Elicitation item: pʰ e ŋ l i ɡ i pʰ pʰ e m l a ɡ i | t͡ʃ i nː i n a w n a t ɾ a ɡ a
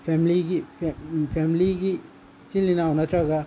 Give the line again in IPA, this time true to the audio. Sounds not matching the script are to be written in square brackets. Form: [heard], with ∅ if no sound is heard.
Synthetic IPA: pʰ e [m] l i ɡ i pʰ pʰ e m l [i] ɡ i | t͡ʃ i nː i n a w n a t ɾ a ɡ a